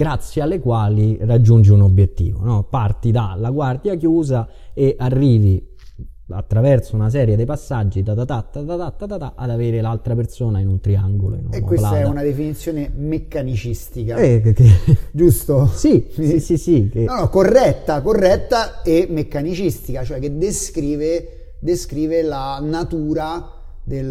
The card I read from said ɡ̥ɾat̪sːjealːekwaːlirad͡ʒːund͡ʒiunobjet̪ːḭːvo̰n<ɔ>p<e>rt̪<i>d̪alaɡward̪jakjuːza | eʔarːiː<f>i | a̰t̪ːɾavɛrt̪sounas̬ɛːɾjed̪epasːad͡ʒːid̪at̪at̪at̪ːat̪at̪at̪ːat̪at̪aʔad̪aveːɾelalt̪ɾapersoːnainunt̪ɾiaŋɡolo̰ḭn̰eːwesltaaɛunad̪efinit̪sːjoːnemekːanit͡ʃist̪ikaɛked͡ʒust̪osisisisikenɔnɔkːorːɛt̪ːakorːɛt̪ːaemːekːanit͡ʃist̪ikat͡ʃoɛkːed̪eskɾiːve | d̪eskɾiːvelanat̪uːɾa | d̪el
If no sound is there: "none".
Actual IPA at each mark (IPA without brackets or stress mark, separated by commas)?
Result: ɔ, a, i, v